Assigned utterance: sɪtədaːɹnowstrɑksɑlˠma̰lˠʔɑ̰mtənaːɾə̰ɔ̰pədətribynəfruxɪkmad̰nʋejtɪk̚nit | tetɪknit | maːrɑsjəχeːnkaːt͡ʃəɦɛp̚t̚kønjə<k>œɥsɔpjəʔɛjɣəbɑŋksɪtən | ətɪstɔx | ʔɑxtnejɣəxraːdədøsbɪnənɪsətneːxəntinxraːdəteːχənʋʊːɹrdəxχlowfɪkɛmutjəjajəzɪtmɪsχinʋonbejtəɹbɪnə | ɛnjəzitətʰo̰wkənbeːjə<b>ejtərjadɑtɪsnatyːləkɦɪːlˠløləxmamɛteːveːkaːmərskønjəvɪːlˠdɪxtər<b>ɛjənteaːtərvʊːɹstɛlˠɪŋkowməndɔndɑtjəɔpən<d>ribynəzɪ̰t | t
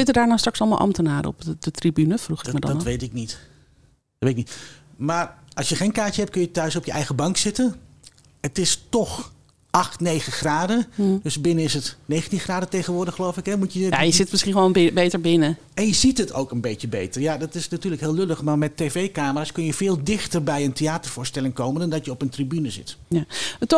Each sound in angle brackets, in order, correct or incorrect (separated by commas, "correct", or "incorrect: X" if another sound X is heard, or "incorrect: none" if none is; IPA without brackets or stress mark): incorrect: t, correct, correct, incorrect: t